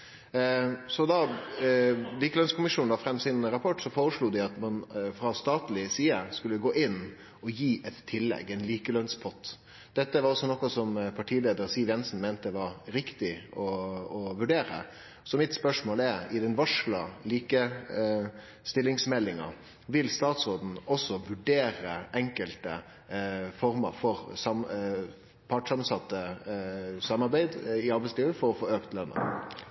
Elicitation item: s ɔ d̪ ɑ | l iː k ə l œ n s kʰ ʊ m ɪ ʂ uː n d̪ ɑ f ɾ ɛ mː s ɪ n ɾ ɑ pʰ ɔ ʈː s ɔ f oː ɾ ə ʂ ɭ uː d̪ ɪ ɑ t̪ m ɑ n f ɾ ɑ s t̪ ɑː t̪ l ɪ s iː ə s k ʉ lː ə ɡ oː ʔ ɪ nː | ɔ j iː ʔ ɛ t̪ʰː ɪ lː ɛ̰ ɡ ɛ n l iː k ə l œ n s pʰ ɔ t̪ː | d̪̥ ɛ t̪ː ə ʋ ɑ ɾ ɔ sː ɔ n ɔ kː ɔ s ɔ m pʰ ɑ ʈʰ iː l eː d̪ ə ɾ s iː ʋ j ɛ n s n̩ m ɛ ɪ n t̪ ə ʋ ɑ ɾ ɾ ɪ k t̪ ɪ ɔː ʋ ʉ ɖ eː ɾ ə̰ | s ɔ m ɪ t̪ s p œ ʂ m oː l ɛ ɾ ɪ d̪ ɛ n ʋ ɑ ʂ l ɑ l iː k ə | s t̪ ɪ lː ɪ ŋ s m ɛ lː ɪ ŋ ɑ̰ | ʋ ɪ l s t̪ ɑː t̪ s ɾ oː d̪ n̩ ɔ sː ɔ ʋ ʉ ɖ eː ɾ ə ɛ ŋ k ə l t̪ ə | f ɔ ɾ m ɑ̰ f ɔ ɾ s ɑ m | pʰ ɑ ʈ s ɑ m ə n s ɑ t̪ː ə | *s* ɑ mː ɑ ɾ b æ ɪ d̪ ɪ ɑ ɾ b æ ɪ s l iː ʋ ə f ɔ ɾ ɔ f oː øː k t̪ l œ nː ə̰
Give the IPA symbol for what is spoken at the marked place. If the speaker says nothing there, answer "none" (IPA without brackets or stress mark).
s